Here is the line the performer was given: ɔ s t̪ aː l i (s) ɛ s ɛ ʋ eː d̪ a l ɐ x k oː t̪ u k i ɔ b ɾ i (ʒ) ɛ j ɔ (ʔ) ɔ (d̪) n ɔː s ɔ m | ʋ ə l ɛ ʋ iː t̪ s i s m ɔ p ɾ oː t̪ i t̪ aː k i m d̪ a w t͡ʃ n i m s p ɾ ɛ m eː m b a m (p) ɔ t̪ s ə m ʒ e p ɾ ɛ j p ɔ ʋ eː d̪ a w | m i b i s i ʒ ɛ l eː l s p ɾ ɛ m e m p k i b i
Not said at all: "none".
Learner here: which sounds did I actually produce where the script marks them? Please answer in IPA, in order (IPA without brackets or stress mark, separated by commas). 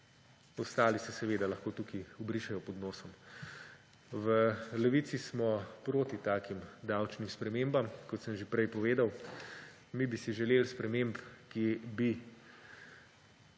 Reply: s, ʃ, p, d̪, k